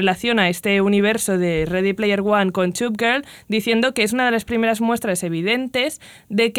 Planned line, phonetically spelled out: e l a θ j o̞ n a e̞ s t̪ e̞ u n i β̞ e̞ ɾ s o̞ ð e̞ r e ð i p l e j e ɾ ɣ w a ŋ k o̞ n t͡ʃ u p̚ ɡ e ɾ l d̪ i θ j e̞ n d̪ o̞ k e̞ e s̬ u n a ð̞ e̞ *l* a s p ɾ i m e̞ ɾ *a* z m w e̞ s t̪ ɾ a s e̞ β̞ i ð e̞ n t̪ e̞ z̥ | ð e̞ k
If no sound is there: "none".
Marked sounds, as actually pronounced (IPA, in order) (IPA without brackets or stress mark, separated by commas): l, a